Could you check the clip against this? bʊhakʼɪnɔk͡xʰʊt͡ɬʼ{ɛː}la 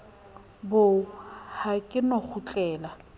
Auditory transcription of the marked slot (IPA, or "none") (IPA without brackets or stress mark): ɛː